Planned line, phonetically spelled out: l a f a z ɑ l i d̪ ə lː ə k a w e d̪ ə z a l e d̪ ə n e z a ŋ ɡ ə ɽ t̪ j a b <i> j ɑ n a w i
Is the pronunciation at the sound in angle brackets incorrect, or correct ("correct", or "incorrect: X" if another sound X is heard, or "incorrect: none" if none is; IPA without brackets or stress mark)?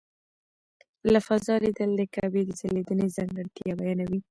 incorrect: a